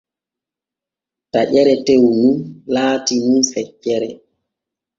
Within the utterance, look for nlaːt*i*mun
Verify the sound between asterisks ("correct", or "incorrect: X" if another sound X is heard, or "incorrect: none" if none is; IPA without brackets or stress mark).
correct